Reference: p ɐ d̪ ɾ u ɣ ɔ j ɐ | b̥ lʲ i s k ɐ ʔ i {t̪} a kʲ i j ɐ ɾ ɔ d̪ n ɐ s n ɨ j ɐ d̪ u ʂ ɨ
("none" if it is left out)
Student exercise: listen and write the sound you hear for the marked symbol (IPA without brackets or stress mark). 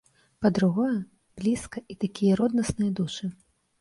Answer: t̪